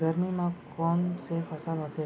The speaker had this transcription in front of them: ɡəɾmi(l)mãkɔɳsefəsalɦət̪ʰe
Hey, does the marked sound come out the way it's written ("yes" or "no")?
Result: no